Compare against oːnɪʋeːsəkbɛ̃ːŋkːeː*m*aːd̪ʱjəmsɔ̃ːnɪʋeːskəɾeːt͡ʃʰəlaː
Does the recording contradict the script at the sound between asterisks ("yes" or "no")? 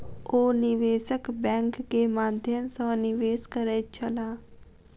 no